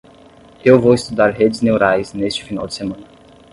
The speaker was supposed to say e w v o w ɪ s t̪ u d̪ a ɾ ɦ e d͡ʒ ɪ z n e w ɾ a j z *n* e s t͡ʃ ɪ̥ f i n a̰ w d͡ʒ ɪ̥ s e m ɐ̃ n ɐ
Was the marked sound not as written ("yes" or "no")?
no